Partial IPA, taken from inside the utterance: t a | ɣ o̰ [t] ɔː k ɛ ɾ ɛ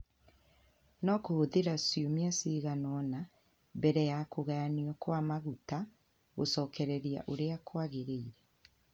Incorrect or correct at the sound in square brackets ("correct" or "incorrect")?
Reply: incorrect